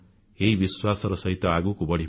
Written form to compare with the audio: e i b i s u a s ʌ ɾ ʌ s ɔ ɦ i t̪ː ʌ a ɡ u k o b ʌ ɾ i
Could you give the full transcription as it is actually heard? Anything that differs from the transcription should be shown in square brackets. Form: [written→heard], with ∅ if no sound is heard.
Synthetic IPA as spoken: e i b i s [u→w] a s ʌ ɾ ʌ s [ɔ→ʌ] ɦ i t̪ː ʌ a ɡ u k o b ʌ [ɾ→ɽ] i